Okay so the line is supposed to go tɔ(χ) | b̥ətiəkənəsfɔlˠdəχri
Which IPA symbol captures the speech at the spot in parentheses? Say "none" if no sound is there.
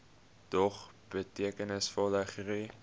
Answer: χ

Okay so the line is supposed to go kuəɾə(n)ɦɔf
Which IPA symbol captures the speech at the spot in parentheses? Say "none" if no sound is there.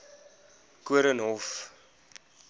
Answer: n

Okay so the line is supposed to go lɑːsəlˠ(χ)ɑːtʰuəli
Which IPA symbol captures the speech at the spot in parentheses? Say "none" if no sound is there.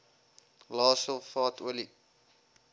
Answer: f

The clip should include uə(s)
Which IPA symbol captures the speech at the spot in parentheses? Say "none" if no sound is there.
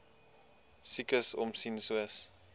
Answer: s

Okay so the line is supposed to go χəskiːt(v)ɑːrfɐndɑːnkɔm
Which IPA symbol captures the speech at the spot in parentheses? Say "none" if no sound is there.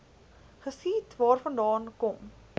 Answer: v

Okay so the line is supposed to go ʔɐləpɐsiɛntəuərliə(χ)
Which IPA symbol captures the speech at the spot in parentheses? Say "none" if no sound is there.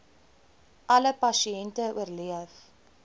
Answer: f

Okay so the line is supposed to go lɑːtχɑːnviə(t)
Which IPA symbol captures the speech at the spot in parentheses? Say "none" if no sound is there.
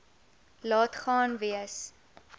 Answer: s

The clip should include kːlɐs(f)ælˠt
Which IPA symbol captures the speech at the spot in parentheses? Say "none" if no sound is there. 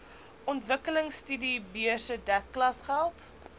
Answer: χ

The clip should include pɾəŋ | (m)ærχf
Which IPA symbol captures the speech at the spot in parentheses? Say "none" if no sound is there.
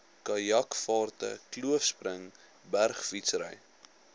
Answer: b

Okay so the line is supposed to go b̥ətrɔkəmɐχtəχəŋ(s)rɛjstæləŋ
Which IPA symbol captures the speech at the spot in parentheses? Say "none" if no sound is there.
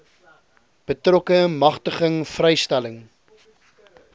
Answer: f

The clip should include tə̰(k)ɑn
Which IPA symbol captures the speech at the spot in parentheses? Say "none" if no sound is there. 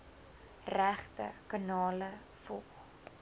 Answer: k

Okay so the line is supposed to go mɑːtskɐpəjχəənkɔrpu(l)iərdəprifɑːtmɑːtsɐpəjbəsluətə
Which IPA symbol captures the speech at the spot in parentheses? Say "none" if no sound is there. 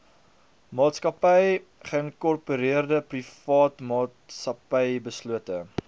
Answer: ɾ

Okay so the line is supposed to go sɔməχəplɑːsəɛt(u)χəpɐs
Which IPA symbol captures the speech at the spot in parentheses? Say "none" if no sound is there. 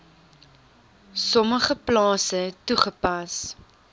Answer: u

